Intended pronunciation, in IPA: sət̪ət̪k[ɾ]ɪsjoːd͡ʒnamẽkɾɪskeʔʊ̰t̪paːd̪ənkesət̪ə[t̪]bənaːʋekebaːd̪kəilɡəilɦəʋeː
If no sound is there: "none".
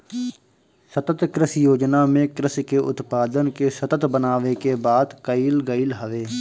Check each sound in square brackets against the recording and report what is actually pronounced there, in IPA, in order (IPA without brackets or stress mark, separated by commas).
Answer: ɾ, t̪